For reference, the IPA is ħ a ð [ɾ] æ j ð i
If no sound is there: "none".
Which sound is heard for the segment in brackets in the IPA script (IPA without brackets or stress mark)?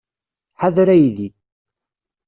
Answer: ɾ